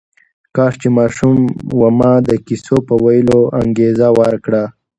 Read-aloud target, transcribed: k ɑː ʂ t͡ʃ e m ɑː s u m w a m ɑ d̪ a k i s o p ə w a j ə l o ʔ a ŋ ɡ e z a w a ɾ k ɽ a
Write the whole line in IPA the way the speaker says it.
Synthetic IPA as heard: k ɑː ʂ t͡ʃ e m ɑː ʃ u m w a m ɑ d̪ ə k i s o p ə w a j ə l o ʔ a ŋ ɡ e z a w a ɾ k ɽ a